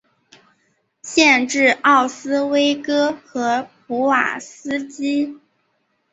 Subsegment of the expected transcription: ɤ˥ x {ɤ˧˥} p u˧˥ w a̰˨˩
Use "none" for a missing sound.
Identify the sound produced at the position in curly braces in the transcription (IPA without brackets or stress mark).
ɤ˧˥